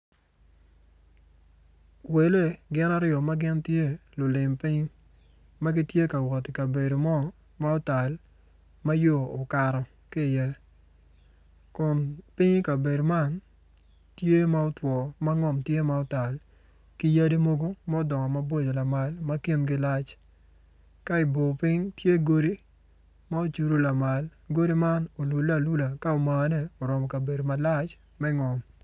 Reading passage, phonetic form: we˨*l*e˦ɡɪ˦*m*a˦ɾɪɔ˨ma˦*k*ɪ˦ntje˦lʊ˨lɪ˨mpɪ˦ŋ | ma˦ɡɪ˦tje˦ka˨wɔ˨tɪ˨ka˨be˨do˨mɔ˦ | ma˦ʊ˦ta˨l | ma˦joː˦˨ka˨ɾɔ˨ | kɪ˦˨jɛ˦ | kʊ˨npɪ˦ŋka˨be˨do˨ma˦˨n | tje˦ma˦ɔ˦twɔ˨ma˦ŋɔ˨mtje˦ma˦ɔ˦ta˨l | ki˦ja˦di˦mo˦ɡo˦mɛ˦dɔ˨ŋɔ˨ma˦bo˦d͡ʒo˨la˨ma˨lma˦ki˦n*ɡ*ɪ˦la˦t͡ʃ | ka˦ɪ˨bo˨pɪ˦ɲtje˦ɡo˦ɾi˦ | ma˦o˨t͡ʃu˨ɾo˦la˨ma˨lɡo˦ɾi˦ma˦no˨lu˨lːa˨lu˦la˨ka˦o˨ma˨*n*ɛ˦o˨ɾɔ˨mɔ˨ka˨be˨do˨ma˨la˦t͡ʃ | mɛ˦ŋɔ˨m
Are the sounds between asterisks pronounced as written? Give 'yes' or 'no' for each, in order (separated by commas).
yes, no, no, yes, yes